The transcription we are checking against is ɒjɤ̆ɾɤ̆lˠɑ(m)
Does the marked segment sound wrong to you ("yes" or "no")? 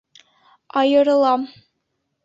no